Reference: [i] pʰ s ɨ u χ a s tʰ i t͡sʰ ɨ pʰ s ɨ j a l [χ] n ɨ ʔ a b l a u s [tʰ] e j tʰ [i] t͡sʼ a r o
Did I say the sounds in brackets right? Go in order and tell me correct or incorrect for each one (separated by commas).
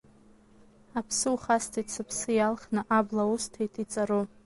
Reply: incorrect, correct, correct, correct